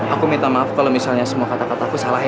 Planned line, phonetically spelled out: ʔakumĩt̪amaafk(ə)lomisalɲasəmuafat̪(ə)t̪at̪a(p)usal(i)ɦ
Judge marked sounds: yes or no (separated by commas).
no, no, no, no